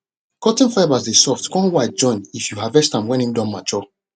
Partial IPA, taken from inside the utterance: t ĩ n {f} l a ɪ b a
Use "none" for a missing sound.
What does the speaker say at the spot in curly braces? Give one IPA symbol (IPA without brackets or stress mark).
f